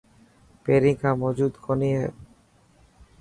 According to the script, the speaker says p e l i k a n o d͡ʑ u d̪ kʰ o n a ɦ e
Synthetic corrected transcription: p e ɾ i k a m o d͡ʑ u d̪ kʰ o n i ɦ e